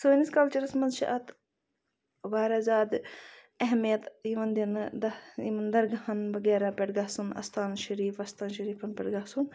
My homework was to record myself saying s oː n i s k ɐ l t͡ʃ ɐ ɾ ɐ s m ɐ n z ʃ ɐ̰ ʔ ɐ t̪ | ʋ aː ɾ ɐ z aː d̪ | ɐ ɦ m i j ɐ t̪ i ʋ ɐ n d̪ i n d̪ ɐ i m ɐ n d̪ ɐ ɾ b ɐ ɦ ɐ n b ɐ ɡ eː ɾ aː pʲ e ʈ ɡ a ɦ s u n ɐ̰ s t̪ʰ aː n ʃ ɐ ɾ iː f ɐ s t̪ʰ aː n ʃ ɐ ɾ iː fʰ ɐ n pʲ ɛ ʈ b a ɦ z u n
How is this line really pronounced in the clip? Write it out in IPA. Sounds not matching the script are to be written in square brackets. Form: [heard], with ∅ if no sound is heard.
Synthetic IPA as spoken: s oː n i s k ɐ l t͡ʃ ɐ ɾ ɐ s m ɐ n z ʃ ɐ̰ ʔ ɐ t̪ | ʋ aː ɾ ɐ z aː d̪ | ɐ ɦ m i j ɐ t̪ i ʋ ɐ n d̪ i n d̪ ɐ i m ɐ n d̪ ɐ ɾ [ɡ] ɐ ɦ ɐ n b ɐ ɡ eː ɾ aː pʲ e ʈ ɡ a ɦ s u n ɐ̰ s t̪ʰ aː n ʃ ɐ ɾ iː f ɐ s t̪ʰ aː n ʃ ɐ ɾ iː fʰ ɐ n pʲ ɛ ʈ [ɡ] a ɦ [s] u n